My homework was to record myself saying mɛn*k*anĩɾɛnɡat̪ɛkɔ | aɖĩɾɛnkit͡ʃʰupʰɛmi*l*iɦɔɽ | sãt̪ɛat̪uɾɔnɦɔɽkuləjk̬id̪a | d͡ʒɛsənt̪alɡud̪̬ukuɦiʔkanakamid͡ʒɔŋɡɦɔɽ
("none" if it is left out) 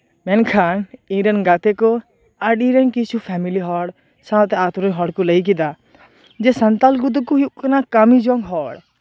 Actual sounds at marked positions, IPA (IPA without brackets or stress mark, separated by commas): kʰ, l